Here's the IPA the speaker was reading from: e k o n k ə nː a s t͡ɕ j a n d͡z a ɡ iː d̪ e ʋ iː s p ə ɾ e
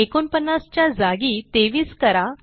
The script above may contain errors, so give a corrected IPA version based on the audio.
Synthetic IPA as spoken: e k o n p ə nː a s t͡ɕ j a d͡z a ɡ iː t̪ e ʋ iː s k ə ɾ a